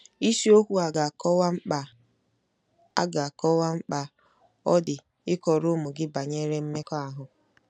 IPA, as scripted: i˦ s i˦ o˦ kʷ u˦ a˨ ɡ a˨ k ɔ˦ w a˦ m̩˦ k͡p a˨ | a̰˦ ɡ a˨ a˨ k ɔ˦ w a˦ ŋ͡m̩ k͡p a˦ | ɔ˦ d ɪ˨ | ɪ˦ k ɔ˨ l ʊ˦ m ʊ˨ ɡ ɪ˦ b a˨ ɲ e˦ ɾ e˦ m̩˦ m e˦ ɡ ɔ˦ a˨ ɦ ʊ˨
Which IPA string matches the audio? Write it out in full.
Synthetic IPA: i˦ s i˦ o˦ kʷ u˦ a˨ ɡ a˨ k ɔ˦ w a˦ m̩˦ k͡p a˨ | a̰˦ ɡ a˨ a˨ k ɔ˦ w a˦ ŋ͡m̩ k͡p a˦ | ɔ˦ d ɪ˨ | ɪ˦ k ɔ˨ ɾ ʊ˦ m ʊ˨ ɡ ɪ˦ b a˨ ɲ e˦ ɾ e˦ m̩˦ m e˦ k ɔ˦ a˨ ɦ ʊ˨